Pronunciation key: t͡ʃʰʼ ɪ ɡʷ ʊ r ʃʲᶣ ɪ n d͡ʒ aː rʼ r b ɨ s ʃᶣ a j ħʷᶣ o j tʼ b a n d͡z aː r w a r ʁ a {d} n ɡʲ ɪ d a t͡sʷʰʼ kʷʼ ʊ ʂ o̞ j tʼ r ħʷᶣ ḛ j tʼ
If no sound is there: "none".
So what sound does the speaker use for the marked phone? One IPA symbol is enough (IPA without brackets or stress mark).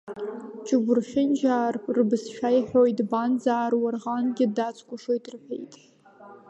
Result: none